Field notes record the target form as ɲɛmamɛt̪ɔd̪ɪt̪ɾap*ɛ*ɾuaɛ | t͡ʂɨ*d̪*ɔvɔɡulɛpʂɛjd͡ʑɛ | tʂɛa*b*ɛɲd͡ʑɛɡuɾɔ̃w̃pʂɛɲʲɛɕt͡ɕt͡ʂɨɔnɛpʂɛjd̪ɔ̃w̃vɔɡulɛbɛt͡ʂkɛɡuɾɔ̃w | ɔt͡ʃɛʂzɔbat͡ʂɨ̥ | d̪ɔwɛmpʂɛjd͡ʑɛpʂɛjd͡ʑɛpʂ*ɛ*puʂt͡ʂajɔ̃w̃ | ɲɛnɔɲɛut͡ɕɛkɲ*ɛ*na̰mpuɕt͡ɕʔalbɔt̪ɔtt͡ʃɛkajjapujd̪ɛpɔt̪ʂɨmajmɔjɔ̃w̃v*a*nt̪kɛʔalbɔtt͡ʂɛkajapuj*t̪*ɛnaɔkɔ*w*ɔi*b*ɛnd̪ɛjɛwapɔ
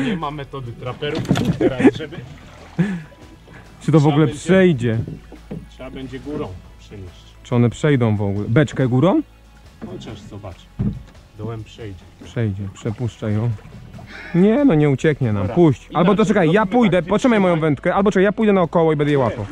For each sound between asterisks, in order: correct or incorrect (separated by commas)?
correct, incorrect, correct, correct, correct, incorrect, incorrect, correct, correct